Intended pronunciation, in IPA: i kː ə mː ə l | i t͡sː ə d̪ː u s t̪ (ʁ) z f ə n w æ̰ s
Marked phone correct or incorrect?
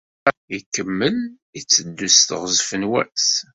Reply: correct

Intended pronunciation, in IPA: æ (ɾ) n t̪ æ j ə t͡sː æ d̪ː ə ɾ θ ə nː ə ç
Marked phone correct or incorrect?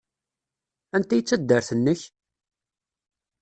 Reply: incorrect: none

